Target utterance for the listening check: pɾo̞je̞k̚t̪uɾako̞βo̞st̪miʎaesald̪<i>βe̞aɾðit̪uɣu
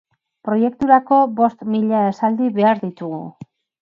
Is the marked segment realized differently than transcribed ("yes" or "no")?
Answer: no